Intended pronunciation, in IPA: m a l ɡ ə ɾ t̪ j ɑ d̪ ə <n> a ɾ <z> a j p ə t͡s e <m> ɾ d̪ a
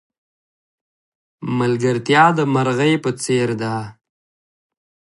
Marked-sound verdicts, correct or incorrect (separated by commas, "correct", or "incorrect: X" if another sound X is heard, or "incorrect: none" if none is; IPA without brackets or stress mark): incorrect: m, incorrect: ɣ, incorrect: none